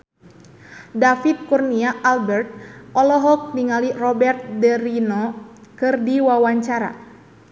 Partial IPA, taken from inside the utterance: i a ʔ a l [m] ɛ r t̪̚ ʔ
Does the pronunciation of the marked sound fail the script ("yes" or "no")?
yes